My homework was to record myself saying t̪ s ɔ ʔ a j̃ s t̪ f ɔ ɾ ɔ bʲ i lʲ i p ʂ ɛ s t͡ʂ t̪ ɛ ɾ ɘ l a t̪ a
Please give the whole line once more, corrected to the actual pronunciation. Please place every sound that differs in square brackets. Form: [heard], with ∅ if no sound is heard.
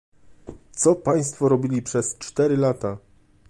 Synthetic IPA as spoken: t̪ s ɔ [p] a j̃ s t̪ f ɔ ɾ ɔ bʲ i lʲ i p ʂ ɛ s t͡ʂ t̪ ɛ ɾ ɘ l a t̪ a